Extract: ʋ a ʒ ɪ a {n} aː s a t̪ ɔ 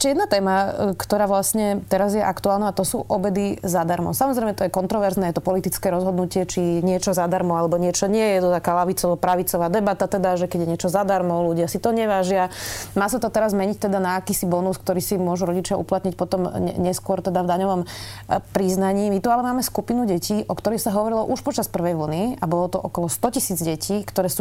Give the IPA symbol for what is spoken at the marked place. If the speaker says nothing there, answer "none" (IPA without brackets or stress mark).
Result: m